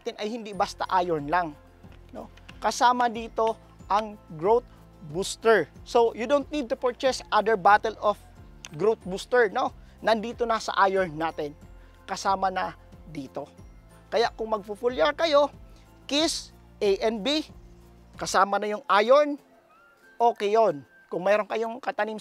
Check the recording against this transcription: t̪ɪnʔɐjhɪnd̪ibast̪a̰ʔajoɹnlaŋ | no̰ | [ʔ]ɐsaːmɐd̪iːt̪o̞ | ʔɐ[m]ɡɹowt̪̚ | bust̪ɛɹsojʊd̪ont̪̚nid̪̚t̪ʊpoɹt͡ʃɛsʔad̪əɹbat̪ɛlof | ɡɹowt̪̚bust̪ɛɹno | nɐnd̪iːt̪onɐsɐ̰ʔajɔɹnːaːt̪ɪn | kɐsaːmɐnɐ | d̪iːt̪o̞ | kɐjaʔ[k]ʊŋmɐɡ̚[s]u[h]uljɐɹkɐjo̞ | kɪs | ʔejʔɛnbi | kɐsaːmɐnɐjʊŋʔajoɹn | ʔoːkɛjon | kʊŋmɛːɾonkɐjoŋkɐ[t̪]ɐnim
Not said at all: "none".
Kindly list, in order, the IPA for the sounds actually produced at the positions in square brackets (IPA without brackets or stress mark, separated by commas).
k, ŋ, k, f, f, t̪